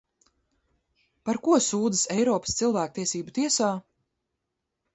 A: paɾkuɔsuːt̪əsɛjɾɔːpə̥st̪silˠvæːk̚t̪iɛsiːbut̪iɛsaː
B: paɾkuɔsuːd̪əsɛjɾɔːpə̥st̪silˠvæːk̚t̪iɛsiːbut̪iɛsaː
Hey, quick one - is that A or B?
B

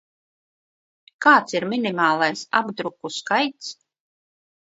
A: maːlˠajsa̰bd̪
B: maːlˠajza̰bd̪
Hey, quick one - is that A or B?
A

